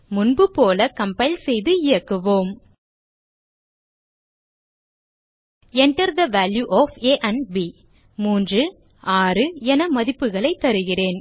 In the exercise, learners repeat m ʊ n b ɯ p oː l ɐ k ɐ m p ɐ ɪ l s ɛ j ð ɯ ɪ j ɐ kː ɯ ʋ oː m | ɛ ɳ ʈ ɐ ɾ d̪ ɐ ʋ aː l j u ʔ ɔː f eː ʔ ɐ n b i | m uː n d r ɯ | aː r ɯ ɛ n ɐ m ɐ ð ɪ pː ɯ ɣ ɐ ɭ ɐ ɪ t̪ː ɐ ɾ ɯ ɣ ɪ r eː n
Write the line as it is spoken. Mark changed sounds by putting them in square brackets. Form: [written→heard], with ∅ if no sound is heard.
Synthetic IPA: m ʊ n b ɯ p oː l ɐ k ɐ m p ɐ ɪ l s ɛ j ð ɯ ɪ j ɐ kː ɯ ʋ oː m | ɛ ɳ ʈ ɐ ɾ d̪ ɐ ʋ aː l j u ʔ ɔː f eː ʔ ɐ n b i | m uː n d r ɯ | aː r ɯ ɛ n ɐ m ɐ ð ɪ pː ɯ ɣ ɐ ɭ ɐ ɪ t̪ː ɐ ɾ ɯ ɣ ɪ r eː n